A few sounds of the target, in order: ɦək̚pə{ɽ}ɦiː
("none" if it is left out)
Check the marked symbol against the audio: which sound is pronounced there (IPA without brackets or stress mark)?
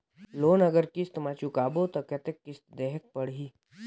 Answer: ɽ